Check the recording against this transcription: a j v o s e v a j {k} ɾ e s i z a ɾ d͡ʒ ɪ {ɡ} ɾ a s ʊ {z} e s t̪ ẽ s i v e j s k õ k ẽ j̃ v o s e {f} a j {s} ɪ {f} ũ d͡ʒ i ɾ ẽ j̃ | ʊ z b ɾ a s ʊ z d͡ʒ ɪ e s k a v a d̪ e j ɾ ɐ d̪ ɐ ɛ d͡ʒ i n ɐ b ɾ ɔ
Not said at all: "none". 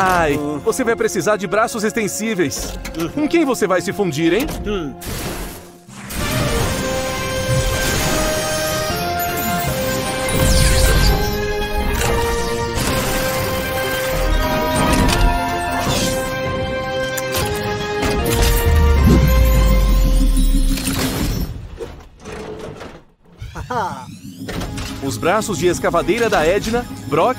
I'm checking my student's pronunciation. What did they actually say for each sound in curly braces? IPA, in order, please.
p, b, z, v, s, f

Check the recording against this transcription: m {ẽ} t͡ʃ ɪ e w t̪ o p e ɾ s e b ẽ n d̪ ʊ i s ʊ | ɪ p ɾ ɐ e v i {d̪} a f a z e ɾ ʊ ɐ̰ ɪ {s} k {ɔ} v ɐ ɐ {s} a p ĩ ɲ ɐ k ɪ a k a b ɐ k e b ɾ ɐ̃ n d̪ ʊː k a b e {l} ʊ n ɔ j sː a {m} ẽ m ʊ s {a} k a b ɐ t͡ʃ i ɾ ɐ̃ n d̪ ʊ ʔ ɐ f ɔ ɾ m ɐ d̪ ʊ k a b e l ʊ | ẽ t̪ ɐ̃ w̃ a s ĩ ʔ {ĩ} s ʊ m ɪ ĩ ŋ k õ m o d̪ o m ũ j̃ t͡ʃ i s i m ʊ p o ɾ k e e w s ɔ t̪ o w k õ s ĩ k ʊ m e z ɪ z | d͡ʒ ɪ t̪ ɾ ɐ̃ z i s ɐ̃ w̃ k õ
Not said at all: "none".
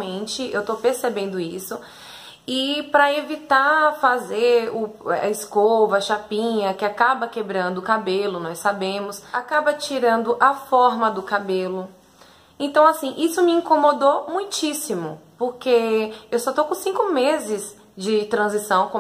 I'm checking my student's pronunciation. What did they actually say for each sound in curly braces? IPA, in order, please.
ẽ, t̪, s, o, ʃ, l, b, a, i

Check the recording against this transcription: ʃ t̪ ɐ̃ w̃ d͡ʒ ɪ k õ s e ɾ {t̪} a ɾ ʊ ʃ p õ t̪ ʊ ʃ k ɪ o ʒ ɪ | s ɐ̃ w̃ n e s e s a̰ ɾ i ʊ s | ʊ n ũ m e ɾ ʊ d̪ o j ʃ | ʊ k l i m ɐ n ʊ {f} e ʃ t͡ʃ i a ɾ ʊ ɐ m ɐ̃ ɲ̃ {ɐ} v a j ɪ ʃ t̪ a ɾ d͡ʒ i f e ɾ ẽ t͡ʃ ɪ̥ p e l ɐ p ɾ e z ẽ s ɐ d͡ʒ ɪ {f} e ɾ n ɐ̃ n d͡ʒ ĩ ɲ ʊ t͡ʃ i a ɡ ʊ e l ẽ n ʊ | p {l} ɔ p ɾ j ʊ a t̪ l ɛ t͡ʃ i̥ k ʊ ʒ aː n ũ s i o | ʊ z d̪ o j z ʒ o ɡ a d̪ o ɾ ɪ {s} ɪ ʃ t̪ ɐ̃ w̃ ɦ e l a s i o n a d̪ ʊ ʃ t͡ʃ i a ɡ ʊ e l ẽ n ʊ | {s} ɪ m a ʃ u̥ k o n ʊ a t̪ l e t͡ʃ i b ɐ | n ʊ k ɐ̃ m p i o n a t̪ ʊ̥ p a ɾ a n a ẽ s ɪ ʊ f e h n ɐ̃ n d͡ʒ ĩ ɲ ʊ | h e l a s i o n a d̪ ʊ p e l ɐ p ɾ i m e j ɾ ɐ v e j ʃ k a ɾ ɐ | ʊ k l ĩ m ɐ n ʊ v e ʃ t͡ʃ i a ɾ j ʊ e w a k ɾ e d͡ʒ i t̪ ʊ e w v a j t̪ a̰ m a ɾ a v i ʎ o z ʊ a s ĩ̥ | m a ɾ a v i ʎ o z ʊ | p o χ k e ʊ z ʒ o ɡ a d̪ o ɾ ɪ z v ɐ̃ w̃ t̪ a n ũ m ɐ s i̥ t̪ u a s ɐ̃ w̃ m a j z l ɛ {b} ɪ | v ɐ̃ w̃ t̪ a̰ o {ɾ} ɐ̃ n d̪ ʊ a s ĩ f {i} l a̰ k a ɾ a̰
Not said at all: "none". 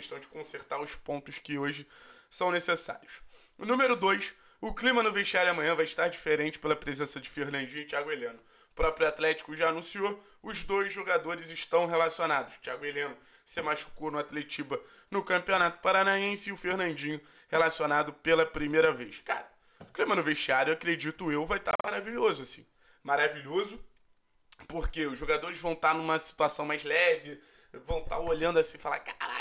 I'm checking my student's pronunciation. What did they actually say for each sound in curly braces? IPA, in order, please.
t̪, v, ɐ̃, f, ɾ, z, s, v, ʎ, a

